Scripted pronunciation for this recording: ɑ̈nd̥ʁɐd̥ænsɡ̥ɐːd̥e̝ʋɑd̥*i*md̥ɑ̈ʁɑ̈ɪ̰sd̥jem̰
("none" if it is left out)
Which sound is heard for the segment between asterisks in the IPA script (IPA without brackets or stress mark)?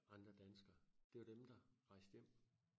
e